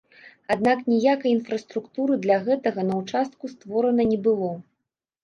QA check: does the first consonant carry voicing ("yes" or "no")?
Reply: yes